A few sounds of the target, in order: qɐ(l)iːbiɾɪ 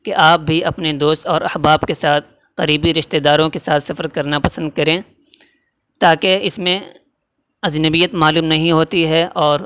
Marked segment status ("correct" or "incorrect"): incorrect